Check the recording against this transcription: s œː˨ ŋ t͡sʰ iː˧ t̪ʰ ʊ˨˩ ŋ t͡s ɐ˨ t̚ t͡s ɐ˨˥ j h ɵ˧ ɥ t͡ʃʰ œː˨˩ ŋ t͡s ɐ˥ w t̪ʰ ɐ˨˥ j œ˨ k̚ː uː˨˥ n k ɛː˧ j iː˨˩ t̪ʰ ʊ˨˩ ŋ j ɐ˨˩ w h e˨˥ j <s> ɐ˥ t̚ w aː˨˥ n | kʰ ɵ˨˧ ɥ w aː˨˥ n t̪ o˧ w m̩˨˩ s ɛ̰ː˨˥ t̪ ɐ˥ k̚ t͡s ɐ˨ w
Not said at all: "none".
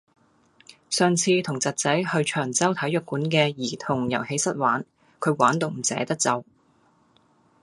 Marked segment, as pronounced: s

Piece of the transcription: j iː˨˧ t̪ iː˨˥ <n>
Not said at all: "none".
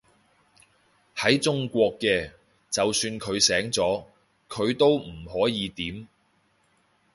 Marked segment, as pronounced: m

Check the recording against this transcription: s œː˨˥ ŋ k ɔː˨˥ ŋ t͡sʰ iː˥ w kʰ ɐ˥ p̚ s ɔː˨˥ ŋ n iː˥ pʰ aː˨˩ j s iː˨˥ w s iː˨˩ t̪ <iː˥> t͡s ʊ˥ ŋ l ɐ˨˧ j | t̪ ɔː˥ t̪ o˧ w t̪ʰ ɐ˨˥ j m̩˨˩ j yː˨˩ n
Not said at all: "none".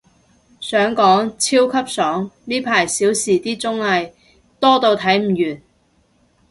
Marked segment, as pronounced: iː˥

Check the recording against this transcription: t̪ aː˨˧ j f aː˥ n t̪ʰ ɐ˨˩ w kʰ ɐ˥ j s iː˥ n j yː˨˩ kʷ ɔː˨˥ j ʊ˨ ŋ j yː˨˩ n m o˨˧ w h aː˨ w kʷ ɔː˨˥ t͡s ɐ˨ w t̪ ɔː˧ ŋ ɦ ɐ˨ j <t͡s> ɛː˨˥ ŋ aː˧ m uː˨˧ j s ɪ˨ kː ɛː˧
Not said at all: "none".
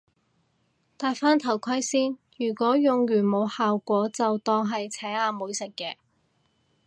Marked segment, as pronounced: t͡sʰ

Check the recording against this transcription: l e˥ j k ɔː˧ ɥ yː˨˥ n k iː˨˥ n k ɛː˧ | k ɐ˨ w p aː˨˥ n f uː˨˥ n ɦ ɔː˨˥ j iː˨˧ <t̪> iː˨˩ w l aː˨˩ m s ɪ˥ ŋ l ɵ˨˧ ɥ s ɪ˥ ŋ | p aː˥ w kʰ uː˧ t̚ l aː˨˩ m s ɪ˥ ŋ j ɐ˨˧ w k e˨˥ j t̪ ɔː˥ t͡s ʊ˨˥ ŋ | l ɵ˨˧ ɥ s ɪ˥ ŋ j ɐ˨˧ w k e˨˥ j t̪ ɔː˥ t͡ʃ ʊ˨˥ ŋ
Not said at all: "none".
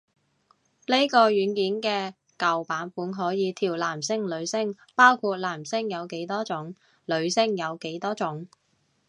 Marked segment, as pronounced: t̪ʰ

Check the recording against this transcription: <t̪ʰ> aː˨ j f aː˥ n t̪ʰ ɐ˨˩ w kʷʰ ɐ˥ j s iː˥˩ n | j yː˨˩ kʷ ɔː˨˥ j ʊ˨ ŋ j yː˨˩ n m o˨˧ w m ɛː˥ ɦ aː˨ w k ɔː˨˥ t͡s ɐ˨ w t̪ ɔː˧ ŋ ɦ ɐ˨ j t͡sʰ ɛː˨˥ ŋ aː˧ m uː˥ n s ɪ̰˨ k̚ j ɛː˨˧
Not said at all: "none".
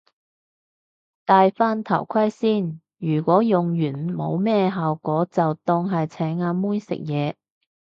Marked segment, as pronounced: t̪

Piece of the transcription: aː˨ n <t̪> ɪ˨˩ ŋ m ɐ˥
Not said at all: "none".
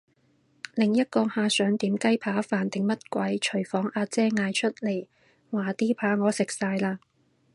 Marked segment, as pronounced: t̪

